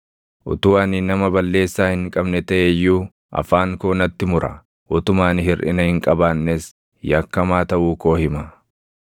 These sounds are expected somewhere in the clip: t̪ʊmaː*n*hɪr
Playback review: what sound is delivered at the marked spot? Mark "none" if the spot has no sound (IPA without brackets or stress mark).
n